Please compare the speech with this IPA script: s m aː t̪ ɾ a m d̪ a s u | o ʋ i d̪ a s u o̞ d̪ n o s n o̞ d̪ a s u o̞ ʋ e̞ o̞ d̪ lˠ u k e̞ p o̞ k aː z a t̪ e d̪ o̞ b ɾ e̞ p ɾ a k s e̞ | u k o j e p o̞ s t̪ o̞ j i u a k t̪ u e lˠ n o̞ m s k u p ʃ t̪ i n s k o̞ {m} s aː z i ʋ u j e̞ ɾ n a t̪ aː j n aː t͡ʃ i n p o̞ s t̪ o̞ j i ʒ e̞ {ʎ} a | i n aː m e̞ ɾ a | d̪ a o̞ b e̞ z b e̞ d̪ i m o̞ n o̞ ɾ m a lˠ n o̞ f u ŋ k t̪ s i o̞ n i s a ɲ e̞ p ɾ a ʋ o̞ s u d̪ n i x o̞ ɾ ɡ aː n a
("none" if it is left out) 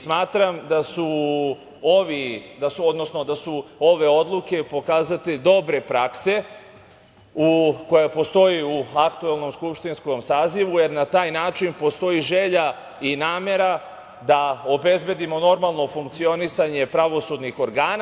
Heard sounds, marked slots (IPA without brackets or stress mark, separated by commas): m, ʎ